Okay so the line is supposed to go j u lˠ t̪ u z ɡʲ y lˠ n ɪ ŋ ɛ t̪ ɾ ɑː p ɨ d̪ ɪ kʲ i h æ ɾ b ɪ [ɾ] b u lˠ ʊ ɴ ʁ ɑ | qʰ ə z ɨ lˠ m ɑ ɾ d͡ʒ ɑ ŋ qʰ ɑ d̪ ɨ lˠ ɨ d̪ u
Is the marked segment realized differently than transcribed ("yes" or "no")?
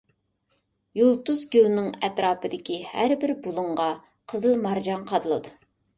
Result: no